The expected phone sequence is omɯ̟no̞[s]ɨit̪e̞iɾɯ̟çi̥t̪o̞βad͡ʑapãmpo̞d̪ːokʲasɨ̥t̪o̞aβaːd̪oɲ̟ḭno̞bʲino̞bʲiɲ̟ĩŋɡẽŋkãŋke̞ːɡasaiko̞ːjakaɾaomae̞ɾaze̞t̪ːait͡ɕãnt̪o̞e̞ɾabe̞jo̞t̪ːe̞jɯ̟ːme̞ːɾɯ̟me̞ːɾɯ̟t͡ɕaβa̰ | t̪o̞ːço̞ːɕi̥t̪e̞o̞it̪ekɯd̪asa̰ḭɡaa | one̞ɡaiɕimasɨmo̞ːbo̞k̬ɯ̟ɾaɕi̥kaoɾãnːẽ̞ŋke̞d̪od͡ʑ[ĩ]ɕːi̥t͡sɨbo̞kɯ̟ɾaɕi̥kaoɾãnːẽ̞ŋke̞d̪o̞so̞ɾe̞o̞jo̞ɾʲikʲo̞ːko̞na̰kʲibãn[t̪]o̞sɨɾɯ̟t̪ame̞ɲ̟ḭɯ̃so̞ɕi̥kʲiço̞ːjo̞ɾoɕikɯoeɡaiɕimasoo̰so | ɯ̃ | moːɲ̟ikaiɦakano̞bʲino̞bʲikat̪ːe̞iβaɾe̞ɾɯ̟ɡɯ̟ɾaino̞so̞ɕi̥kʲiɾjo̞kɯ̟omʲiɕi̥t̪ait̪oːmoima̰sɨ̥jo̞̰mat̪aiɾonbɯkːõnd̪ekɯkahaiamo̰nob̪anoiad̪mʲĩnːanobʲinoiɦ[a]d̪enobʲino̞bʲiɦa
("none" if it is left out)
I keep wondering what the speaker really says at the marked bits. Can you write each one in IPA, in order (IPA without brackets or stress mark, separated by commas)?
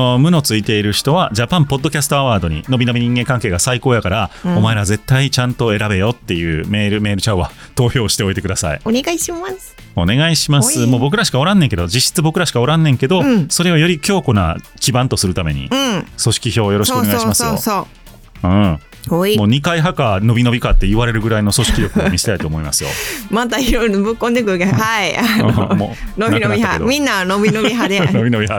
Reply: t͡s, i, t̪, a